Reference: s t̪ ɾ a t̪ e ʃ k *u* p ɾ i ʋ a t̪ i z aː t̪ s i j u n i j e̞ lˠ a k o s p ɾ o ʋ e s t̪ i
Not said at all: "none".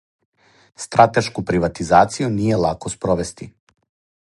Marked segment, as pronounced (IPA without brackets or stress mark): u